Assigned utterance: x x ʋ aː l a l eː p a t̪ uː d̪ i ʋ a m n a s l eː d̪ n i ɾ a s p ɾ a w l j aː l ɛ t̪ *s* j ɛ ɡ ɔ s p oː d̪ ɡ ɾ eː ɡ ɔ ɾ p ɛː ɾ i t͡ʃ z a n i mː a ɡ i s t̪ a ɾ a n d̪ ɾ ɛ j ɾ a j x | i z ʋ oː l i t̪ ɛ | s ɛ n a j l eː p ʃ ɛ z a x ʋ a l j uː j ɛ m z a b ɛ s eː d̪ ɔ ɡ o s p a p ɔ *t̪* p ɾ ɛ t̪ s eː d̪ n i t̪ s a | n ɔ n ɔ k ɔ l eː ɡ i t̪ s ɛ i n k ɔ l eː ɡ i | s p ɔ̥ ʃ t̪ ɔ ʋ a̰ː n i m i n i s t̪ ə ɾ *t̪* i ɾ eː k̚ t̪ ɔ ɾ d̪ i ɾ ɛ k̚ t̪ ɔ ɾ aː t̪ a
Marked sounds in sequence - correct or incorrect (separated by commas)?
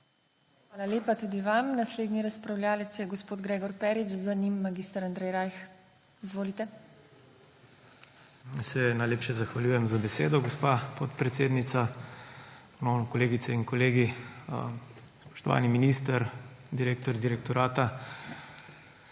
correct, correct, incorrect